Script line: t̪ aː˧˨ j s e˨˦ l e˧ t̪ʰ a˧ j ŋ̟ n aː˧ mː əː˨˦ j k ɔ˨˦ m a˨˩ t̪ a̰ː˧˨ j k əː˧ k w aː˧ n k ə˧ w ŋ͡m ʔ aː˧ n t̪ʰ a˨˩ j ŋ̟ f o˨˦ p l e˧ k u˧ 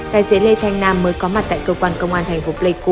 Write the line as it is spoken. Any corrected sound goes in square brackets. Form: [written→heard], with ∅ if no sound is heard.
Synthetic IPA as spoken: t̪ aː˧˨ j s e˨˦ l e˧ t̪ʰ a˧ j ŋ̟ n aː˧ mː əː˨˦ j k ɔ˨˦ m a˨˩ t̪ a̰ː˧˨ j k əː˧ k w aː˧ n k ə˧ w ŋ͡m ʔ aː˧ n t̪ʰ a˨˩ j ŋ̟ f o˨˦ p l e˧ k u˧